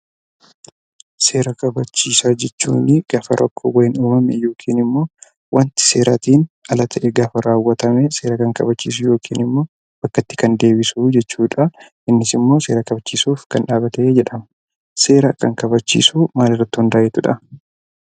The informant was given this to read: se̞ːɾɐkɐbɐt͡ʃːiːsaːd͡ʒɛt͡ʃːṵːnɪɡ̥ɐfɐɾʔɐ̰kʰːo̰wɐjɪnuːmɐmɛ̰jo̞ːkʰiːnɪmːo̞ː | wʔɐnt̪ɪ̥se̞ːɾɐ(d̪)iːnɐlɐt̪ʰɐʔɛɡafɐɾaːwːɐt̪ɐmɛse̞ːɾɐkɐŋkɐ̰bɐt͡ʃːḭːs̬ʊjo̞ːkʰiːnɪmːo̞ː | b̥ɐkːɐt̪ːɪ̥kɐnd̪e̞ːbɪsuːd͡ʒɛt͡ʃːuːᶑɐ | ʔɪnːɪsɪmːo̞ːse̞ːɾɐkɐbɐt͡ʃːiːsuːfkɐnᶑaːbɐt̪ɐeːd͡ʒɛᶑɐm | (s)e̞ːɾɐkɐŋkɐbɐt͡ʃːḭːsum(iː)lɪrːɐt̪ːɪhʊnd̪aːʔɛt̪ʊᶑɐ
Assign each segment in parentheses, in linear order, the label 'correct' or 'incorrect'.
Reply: incorrect, correct, incorrect

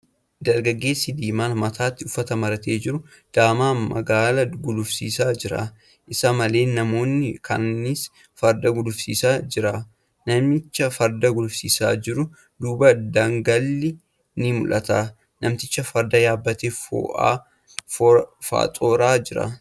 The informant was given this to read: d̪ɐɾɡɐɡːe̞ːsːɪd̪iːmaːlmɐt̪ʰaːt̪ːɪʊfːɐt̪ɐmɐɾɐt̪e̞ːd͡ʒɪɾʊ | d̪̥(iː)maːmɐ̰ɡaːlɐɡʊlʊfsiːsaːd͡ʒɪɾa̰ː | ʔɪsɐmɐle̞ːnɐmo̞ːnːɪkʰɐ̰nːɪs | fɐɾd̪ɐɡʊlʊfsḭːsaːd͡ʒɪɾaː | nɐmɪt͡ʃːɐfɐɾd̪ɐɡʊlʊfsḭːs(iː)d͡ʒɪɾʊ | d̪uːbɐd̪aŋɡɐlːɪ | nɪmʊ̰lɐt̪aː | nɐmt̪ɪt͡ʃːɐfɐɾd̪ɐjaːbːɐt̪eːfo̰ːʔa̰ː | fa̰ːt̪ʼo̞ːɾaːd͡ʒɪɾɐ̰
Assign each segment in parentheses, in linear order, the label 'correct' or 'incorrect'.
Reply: incorrect, incorrect

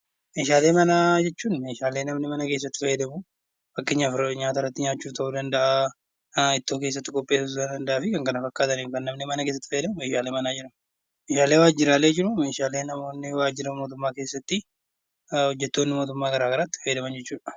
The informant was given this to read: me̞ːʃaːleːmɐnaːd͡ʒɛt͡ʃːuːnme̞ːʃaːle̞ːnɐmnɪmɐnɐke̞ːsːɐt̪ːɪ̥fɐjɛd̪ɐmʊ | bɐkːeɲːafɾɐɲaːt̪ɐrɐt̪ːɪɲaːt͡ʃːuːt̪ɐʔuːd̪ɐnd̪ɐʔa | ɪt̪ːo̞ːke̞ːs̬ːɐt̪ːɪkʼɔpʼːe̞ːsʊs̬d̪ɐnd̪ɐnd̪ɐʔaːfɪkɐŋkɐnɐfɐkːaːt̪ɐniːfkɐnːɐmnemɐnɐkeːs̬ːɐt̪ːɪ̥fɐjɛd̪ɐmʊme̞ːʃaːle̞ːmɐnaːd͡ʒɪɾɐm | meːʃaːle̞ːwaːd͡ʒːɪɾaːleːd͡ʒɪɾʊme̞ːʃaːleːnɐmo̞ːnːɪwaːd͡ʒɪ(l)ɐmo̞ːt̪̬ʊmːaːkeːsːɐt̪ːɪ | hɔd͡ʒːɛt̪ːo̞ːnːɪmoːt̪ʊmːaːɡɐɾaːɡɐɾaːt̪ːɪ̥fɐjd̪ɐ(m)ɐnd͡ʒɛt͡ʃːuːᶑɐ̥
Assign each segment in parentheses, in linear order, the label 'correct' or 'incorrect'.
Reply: incorrect, correct

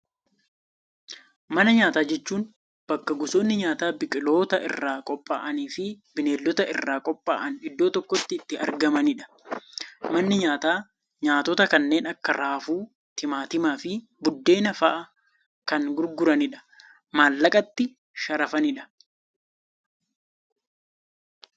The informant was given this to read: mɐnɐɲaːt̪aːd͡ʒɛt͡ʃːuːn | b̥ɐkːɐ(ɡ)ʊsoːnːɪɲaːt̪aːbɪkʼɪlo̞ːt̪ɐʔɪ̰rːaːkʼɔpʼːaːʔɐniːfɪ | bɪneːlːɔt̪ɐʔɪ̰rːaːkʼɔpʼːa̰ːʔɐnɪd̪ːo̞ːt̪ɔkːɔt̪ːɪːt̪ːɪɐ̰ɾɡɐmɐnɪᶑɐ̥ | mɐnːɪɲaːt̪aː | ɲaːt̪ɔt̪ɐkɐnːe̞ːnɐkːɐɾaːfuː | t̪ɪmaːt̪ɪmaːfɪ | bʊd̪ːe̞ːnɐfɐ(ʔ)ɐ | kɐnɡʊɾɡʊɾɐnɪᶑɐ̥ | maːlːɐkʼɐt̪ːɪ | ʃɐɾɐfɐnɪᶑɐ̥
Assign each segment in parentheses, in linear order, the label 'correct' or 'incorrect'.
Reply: correct, correct

